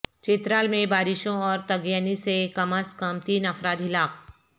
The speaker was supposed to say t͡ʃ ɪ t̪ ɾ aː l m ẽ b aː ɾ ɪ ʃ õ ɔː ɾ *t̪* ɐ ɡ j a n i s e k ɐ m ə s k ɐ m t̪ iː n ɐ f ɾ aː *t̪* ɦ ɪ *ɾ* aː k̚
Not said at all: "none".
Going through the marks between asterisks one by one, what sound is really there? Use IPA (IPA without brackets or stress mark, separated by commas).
t̪, d̪, l